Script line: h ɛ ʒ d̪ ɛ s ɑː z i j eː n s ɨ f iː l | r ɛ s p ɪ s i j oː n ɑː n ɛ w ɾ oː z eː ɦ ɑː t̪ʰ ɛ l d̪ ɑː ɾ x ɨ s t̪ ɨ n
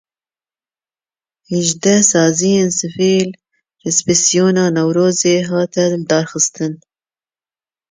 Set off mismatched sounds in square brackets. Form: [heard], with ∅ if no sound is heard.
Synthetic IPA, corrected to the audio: h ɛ ʒ d̪ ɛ s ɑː z i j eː n s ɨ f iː l | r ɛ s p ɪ s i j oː n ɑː n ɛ w ɾ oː z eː ɦ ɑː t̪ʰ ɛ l d̪ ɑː ɾ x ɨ s t̪ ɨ n